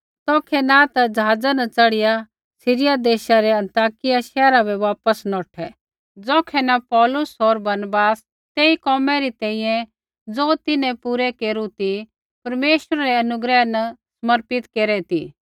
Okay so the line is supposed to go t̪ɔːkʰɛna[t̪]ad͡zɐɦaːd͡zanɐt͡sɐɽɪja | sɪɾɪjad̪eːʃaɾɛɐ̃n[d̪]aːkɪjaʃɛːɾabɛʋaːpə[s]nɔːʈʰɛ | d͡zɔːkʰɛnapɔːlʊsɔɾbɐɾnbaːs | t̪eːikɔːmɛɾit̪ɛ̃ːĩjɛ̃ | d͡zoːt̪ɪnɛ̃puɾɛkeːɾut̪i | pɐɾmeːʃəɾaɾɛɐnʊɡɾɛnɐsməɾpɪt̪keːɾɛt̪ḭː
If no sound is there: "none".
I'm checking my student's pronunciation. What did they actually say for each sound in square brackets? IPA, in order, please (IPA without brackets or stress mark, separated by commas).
t̪, t̪, s